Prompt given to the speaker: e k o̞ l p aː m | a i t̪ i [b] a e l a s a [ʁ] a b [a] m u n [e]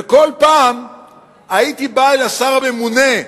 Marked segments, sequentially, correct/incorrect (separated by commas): correct, correct, incorrect, correct